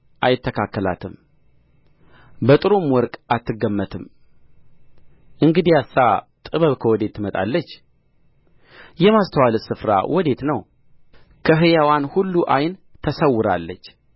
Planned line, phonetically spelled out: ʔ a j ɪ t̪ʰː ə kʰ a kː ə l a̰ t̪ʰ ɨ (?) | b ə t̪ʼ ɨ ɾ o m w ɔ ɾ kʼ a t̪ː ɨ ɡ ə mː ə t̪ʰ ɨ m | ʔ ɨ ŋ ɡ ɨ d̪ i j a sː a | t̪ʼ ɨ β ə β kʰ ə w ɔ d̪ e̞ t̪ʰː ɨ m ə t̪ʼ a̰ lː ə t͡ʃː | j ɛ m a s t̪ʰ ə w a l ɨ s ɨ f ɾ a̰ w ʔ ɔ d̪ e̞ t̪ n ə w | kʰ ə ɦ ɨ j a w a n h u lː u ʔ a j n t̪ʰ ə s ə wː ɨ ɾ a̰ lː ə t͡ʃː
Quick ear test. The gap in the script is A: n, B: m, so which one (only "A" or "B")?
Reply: B